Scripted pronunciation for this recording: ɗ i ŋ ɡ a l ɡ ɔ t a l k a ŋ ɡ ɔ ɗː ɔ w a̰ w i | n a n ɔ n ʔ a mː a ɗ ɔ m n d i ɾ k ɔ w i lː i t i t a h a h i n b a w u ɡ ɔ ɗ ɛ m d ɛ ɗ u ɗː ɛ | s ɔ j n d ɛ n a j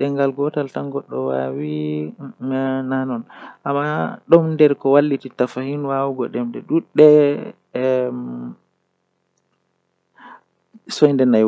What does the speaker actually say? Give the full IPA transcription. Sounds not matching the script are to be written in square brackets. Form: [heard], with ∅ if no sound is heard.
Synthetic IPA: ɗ [ɛ] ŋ ɡ a l ɡ ɔ t a l [t] a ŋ ɡ ɔ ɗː ɔ w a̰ w i | n a n ɔ n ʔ a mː a ɗ ɔ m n d [ɛ] ɾ k ɔ w [a] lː i t i t a [f] a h i n [w] a w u ɡ ɔ ɗ ɛ m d ɛ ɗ u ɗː ɛ | s ɔ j n d ɛ n a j